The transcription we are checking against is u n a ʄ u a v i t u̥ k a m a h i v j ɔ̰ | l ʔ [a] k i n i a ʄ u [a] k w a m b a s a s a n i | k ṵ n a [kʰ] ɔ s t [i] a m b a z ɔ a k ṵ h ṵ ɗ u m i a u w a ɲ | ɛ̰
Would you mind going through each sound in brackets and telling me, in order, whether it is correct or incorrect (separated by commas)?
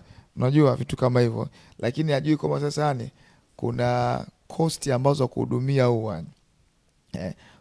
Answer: correct, incorrect, correct, correct